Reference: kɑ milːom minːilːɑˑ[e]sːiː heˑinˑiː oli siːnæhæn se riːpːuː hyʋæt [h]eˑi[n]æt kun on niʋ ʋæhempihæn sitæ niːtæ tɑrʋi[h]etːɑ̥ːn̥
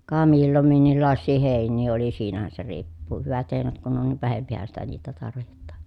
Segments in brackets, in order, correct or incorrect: correct, correct, correct, correct

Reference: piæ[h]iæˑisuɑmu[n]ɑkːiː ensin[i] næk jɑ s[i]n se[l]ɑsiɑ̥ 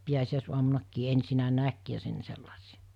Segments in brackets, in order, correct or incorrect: incorrect: s, correct, incorrect: æ, incorrect: e, incorrect: lː

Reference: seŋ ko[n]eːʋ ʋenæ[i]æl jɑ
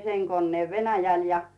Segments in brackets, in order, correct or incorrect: incorrect: nː, incorrect: j

